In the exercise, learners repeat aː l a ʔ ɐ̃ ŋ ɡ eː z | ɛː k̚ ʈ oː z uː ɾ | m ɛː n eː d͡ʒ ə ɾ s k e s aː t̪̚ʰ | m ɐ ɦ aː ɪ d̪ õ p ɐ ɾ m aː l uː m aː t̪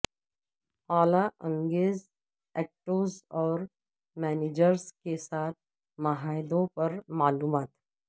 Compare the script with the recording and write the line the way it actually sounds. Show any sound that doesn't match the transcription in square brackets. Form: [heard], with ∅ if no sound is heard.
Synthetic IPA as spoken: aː l a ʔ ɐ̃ ŋ ɡ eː z | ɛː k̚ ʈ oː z [ɔː] ɾ | m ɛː n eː d͡ʒ ə ɾ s k e s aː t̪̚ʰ | m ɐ ɦ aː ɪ d̪ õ p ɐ ɾ m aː l uː m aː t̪